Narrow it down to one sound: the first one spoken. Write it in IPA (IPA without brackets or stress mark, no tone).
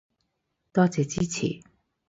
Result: t̪